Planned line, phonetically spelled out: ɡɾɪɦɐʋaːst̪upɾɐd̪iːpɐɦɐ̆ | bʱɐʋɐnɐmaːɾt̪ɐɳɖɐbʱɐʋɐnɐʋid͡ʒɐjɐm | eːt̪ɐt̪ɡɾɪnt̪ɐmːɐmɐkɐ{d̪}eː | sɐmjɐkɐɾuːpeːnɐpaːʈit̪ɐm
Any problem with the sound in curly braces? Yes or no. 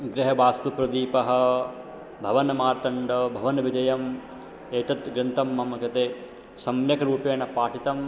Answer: yes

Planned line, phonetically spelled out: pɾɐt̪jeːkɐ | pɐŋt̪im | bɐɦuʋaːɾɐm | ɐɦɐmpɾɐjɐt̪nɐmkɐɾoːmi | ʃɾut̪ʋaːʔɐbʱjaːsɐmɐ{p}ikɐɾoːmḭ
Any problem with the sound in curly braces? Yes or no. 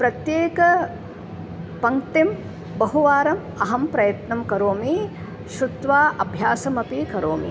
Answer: no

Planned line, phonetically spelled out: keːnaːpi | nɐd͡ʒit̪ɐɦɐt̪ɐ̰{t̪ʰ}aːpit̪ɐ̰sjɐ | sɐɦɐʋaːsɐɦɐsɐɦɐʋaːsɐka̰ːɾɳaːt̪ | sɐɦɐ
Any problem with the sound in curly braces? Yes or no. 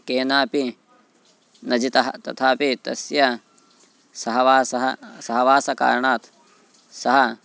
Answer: no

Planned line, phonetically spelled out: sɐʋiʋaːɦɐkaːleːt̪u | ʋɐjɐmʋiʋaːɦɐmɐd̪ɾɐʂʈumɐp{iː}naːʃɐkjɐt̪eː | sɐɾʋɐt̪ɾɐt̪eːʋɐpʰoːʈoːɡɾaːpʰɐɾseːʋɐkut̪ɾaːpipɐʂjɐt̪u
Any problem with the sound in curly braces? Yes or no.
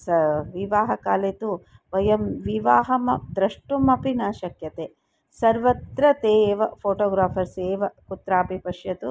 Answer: yes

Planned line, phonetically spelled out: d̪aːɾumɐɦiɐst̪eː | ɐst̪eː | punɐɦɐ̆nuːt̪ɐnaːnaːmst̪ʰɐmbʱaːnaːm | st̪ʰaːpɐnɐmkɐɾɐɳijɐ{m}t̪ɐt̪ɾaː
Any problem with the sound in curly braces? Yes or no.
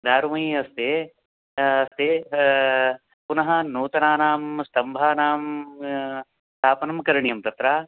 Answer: no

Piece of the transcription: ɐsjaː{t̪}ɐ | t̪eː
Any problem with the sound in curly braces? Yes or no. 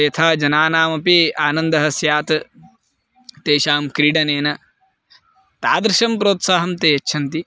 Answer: no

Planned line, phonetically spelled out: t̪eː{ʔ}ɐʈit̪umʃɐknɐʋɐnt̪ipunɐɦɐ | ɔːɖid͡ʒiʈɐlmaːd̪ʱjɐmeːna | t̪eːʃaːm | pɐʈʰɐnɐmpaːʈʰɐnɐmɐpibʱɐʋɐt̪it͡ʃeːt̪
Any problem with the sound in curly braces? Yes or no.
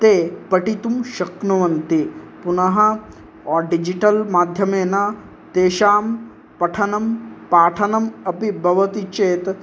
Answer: yes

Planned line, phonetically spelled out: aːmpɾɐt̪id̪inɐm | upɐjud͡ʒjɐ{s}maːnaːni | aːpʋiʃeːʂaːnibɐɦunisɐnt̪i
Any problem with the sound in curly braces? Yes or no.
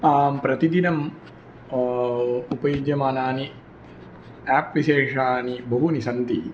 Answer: yes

